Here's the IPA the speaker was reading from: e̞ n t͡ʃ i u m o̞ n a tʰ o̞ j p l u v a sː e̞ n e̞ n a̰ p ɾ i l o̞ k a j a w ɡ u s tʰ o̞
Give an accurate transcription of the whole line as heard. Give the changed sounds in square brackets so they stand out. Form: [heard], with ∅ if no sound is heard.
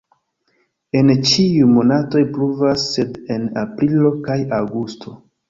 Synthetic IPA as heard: e̞ n t͡ʃ i u m o̞ n a [t] o̞ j p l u v a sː e̞ [d] e̞ n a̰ p ɾ i l o̞ k a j a w ɡ u s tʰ o̞